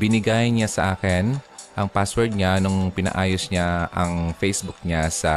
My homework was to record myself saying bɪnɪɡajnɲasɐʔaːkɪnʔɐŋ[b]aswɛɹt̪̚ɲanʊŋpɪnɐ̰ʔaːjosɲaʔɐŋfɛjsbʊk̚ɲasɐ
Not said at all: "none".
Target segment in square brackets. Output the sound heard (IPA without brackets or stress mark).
p